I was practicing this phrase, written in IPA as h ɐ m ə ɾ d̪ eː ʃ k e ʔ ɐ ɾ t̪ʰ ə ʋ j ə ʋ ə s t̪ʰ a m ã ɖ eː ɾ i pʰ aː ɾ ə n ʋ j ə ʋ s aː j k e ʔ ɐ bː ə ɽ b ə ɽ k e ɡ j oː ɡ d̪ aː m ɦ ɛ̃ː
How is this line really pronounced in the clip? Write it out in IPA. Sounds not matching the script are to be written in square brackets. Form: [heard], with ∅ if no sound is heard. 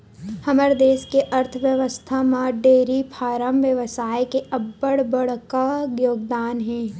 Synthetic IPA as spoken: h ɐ m ə ɾ d̪ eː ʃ k e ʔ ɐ ɾ t̪ʰ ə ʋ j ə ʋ ə s t̪ʰ a m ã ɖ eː ɾ i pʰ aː ɾ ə [m] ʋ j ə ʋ s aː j k e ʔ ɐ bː ə ɽ b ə ɽ k [a] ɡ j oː ɡ d̪ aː [n] ɦ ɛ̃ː

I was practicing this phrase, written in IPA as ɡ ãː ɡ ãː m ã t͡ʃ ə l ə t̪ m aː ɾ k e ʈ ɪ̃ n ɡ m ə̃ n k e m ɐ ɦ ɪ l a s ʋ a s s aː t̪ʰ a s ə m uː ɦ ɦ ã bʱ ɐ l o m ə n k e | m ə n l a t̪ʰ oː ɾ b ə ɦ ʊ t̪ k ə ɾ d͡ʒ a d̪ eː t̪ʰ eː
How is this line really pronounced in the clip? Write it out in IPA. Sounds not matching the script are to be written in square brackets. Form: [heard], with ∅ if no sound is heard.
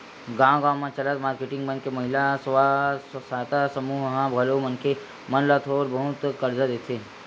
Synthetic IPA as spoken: ɡ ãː ɡ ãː m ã t͡ʃ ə l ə t̪ m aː ɾ k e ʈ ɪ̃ [ŋ] ɡ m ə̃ n k e m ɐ ɦ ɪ l a s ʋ a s s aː [t̪] a s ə m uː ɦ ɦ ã bʱ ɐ l o m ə n k e | m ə n l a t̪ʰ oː ɾ b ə ɦ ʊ t̪ k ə ɾ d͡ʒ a d̪ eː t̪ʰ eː

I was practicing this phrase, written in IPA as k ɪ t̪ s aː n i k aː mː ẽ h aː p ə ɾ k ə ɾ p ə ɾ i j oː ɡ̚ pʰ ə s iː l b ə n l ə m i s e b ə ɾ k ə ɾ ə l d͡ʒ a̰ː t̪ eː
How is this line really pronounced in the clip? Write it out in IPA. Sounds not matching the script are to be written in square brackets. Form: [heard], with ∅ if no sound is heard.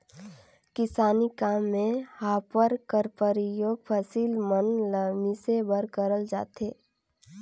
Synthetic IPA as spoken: k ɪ [∅] s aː n i k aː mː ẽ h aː p ə ɾ k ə ɾ p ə ɾ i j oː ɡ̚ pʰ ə s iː l [m] ə n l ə m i s e b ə ɾ k ə ɾ ə l d͡ʒ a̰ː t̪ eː

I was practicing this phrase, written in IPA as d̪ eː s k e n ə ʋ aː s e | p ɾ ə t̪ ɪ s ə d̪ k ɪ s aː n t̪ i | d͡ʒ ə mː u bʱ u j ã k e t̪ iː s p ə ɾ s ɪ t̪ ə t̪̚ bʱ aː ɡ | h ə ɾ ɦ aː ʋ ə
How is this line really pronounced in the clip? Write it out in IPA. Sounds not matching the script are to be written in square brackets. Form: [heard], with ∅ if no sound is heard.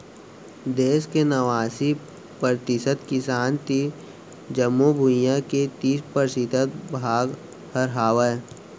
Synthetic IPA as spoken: d̪ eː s k e n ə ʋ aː s [i] | p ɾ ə t̪ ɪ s ə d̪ k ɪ s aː n t̪ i | d͡ʒ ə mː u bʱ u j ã k e t̪ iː s p ə ɾ s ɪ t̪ ə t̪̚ bʱ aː ɡ | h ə ɾ ɦ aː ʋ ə

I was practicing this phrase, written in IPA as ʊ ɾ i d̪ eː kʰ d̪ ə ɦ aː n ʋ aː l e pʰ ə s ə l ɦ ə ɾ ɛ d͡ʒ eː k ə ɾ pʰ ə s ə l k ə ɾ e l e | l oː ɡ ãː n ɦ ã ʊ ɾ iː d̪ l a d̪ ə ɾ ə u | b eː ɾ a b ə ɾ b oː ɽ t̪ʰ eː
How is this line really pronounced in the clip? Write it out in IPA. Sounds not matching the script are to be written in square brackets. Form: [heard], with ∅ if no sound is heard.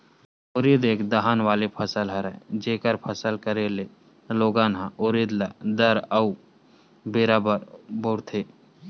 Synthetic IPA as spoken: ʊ ɾ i d̪ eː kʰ d̪ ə ɦ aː n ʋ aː l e pʰ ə s ə l ɦ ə ɾ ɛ d͡ʒ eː k ə ɾ pʰ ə s ə l k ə ɾ e l e | l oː ɡ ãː n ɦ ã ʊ ɾ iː d̪ l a d̪ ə ɾ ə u | b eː ɾ a b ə ɾ b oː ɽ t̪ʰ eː

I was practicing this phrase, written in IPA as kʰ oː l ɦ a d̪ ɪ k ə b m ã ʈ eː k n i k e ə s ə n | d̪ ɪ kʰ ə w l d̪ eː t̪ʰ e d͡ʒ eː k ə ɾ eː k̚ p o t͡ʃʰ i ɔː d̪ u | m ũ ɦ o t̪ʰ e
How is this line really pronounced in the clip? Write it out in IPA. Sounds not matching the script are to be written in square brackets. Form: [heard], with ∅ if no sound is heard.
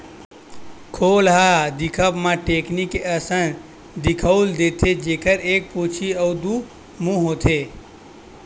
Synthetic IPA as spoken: kʰ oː l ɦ a d̪ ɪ [kʰ] ə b m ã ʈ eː k n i k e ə s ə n | d̪ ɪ kʰ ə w l d̪ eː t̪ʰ e d͡ʒ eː k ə ɾ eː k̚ p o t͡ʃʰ i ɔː d̪ u | m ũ ɦ o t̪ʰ e

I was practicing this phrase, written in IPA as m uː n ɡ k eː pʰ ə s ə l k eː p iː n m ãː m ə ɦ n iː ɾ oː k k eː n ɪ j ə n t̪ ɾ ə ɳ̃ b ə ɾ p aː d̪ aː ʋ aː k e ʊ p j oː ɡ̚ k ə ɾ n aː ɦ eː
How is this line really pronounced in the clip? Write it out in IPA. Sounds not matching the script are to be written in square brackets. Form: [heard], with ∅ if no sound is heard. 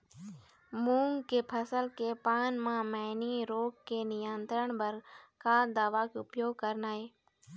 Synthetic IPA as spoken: m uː [ŋ] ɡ k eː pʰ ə s ə l k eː p [aː] n m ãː m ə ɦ n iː ɾ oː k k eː n ɪ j ə n t̪ ɾ ə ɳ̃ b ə ɾ [k] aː d̪ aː ʋ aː k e ʊ p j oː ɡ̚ k ə ɾ n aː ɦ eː

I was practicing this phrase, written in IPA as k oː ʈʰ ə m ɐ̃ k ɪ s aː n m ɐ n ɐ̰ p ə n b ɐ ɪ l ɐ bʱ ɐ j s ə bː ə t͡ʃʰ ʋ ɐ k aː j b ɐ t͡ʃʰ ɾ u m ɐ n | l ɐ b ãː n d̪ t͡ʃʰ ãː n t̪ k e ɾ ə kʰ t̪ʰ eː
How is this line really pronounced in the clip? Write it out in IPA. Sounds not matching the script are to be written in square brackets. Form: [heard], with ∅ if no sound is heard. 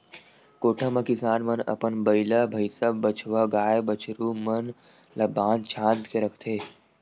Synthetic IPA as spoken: k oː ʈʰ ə m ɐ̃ k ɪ s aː n m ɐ n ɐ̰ p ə n b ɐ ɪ l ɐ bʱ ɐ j s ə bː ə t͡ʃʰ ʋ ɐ [ɡ] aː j b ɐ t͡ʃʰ ɾ u m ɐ n | l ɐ b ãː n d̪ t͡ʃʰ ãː n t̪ k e ɾ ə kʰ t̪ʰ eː

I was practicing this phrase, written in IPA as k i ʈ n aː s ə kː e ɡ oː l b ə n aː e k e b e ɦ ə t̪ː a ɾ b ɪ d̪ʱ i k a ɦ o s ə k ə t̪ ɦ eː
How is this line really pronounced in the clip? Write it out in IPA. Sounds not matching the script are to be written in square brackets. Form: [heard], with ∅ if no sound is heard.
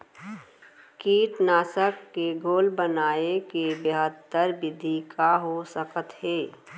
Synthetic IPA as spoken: k [iː] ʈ n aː s ə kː e ɡ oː l b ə n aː e k e b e ɦ ə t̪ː [ə] ɾ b ɪ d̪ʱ i k a ɦ o s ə k ə t̪ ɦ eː

